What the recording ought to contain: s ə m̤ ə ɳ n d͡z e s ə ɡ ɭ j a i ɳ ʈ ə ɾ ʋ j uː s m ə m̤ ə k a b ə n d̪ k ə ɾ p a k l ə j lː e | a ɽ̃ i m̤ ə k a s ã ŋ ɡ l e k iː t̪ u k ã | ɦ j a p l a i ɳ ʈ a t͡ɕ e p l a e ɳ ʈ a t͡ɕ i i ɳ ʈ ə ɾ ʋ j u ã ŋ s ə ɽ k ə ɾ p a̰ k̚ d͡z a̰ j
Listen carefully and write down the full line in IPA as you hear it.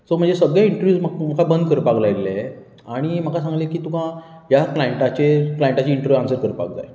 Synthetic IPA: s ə m̤ ə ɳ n d͡z e s ə ɡ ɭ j a i ɳ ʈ ə ɾ ʋ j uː s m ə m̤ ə k a b ə n d̪ k ə ɾ p a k l a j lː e | a ɽ̃ i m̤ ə k a s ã ŋ ɡ l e k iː t̪ u k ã | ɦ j a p l a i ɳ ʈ a t͡ɕ e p l a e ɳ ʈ a t͡ɕ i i ɳ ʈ ə ɾ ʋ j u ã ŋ s ə ɾ k ə ɾ p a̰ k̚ d͡z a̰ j

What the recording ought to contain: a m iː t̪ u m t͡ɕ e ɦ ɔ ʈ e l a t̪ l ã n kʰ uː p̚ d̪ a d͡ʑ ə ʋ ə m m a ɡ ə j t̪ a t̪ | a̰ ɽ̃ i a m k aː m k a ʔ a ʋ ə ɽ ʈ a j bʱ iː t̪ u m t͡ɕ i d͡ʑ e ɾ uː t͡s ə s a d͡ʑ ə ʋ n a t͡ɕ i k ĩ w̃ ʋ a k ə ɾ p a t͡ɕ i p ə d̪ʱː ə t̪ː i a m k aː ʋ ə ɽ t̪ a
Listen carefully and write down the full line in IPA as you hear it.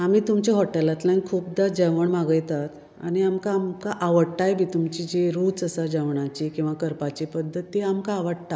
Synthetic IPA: a m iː t̪ u m t͡ɕ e ɦ ɔ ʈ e l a t̪ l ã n kʰ uː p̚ d̪ a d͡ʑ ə ʋ ə ɳ m a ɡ ə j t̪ a t̪ | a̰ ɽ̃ i a m k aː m k a ʔ a ʋ ə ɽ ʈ a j bʱ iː t̪ u m t͡ɕ i d͡ʑ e ɾ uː t͡s ə s a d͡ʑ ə ʋ ɳ a t͡ɕ i k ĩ w̃ ʋ a k ə ɾ p a t͡ɕ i p ə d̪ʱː ə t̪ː i a m k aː ʋ ə ɽ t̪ a

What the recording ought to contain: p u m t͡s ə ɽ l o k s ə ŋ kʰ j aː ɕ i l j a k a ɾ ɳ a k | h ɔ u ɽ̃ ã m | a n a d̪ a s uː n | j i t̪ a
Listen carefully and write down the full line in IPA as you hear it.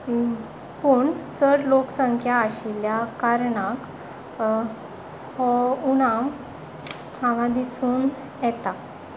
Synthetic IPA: p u ɳ t͡s ə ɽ l o k s ə ŋ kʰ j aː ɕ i l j a k a ɾ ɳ a k | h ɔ u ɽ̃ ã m | a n a d̪ i s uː n | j ɛ t̪ a

